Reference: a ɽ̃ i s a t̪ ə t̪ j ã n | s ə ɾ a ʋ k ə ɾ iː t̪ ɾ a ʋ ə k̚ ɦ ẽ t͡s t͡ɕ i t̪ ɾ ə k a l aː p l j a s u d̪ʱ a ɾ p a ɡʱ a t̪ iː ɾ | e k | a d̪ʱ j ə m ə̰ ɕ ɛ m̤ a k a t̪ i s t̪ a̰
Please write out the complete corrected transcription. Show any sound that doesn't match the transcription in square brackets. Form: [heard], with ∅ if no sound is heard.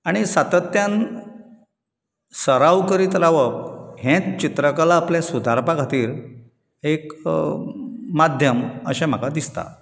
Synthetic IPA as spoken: a ɽ̃ i s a t̪ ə t̪ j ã n | s ə ɾ a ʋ k ə ɾ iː t̪ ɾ a ʋ ə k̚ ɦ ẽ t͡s t͡ɕ i t̪ ɾ ə k a l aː p l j a s u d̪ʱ a ɾ p a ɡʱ a t̪ iː ɾ | e k | a d̪ʱ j ə m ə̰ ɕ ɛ m̤ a k a [d̪] i s t̪ a̰